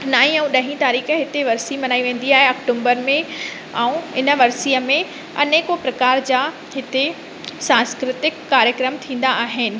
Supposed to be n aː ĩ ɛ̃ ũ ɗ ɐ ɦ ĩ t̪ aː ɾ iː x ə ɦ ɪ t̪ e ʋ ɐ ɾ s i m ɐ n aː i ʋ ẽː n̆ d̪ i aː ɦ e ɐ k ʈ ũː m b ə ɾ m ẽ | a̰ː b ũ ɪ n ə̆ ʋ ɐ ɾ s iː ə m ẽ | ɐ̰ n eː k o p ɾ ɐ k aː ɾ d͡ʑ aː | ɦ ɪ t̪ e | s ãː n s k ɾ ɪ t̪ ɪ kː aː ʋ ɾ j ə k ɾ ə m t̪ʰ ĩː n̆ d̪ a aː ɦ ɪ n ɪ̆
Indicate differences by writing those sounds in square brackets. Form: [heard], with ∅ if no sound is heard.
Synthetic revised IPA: n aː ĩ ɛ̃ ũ ɗ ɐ ɦ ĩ t̪ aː ɾ iː x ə ɦ ɪ t̪ e ʋ ɐ ɾ s i m ɐ n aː i ʋ ẽː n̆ d̪ i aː ɦ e ɐ k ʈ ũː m b ə ɾ m ẽ | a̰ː [∅] ũ ɪ n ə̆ ʋ ɐ ɾ s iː ə m ẽ | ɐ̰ n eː k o p ɾ ɐ k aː ɾ d͡ʑ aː | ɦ ɪ t̪ e | s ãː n s k ɾ ɪ t̪ ɪ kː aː [∅] ɾ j ə k ɾ ə m t̪ʰ ĩː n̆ d̪ a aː ɦ ɪ n ɪ̆